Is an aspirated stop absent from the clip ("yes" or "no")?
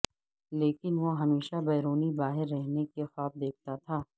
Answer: no